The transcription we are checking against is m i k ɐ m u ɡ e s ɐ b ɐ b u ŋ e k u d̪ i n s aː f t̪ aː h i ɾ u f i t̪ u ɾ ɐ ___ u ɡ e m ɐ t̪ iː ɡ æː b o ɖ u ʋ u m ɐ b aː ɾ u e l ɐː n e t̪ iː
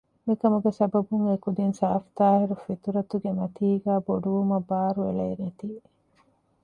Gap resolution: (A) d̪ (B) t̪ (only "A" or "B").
B